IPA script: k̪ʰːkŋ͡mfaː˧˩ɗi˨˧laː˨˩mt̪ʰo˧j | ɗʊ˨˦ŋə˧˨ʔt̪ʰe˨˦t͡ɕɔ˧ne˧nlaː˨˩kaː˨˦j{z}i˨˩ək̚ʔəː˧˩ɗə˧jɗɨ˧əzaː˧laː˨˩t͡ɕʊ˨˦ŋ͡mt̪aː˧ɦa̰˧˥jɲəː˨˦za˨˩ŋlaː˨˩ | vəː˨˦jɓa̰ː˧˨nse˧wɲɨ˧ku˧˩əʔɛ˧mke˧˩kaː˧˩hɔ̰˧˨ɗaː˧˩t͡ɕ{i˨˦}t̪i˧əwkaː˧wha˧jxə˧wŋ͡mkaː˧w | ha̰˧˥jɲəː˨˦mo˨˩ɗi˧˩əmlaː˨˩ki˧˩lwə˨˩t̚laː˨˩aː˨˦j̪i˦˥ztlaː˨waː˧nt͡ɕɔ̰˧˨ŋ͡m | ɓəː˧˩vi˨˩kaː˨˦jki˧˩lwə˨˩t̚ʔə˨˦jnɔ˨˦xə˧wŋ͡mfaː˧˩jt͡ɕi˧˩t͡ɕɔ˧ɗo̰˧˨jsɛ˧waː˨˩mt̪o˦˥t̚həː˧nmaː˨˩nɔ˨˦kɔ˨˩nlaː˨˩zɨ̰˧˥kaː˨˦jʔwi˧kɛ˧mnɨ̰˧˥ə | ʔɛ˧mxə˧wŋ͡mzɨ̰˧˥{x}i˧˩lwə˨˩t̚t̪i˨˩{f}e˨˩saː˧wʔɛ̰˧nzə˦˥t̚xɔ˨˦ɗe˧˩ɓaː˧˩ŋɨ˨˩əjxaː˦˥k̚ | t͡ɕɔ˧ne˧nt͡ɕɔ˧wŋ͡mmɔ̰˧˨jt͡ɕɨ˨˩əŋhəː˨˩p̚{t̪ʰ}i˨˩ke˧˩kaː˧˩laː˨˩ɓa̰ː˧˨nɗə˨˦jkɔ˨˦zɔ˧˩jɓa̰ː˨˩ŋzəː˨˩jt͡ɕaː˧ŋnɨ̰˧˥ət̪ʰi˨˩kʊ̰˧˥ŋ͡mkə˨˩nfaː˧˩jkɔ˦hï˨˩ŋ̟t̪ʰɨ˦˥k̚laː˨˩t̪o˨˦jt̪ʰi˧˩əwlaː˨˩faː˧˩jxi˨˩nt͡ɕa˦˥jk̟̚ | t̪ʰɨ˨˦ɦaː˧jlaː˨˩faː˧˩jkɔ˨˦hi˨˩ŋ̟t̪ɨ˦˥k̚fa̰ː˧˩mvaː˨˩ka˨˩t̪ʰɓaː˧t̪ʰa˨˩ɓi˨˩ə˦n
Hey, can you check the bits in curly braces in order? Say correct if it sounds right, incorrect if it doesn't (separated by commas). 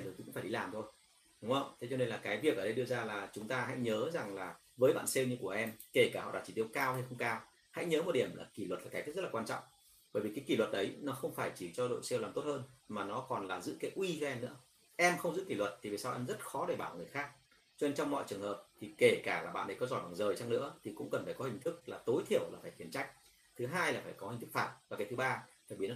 incorrect, incorrect, incorrect, incorrect, correct